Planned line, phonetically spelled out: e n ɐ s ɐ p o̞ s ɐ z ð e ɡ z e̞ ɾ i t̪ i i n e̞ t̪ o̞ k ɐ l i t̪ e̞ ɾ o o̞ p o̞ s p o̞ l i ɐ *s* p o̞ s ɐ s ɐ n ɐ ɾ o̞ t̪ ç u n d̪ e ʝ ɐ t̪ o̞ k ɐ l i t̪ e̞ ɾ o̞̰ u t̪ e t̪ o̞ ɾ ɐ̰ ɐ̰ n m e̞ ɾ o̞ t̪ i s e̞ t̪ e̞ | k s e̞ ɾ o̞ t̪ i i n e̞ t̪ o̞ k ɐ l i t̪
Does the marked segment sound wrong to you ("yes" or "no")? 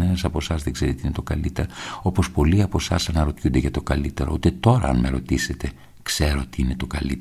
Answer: yes